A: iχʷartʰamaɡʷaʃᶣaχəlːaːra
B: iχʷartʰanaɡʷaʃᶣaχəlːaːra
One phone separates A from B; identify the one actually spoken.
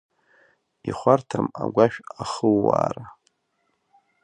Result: A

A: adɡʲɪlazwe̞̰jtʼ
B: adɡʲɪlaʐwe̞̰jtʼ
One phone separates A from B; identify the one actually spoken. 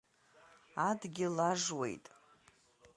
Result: B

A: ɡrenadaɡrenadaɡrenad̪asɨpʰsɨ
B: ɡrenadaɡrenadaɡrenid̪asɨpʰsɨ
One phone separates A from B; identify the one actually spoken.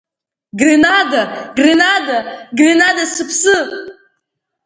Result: A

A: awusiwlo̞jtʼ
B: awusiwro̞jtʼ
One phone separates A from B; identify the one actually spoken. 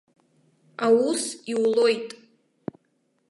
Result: A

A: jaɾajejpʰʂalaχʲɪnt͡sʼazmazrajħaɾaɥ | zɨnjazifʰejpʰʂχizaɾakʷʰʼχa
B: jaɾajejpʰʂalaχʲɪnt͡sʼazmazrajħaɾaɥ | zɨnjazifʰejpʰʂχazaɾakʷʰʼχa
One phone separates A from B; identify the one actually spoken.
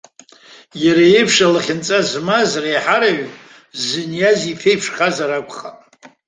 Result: B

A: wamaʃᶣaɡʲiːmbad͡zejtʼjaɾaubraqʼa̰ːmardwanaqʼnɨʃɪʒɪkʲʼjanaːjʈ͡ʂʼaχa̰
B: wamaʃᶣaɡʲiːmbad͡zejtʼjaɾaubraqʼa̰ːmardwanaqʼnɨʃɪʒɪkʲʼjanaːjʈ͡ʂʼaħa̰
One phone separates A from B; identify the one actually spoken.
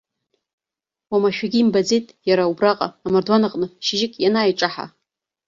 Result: B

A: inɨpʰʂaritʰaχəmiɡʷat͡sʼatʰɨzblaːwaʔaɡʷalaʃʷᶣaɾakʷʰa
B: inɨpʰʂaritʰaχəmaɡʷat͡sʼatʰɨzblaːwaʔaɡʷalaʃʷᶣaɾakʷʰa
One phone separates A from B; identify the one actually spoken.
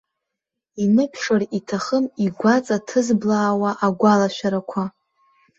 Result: A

